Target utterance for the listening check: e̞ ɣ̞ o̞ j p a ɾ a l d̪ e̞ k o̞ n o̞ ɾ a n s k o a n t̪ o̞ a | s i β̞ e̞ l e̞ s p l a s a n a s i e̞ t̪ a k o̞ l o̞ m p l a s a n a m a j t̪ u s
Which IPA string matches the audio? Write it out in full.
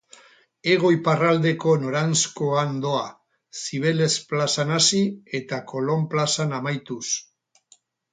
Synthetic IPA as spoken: e̞ ɣ̞ o̞ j p a r a l d̪ e̞ k o̞ n o̞ ɾ a n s k o a n d̪ o̞ a | s i β̞ e̞ l e̞ s p l a s a n a s i e̞ t̪ a k o̞ l o̞ m p l a s a n a m a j t̪ u s